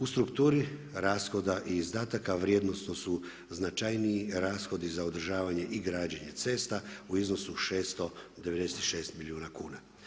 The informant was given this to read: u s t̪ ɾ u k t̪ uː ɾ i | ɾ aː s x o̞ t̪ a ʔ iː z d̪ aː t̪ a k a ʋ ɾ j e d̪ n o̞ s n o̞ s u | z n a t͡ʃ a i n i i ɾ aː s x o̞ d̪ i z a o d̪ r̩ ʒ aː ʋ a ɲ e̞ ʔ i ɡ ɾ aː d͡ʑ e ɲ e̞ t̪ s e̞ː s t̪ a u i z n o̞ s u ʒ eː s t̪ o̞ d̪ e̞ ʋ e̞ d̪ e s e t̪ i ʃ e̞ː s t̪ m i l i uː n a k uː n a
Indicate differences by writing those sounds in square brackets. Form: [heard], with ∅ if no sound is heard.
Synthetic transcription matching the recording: u s t̪ ɾ u k t̪ uː ɾ i | ɾ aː s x o̞ [d̪] a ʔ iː z d̪ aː t̪ a k a ʋ ɾ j e d̪ n o̞ s n o̞ s u | z n a t͡ʃ a [j] n i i ɾ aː s x o̞ d̪ i z a o d̪ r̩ ʒ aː ʋ a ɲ e̞ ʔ i ɡ ɾ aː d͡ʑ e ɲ e̞ t̪ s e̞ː s t̪ a u i z n o̞ s u [ʃ] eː s t̪ o̞ d̪ e̞ ʋ e̞ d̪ e s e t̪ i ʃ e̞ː s t̪ m i l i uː n a k uː n a